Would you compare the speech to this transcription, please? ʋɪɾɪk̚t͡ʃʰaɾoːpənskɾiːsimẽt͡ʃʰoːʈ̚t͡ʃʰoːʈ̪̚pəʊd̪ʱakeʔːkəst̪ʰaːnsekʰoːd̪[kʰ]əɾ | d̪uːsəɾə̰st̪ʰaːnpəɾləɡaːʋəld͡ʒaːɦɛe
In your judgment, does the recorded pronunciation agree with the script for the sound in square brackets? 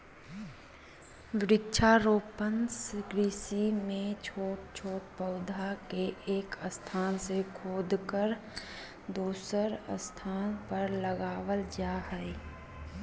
no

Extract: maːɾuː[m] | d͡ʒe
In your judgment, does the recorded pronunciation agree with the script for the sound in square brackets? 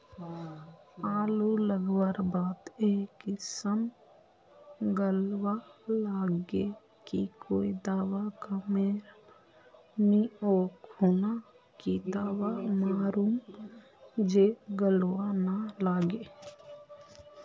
yes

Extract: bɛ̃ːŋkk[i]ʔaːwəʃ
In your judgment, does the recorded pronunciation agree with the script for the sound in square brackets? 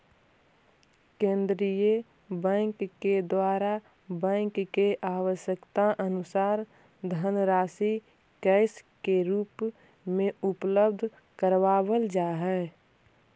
no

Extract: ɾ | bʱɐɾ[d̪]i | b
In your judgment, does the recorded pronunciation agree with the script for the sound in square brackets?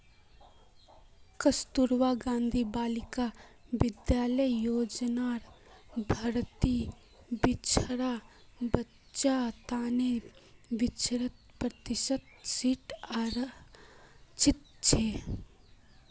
no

